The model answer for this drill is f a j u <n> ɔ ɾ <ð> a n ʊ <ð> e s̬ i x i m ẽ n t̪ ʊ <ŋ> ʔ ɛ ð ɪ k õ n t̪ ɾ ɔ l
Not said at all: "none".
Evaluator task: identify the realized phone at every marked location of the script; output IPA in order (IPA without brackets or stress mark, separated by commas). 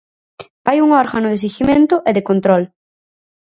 ŋ, ɣ, ð, none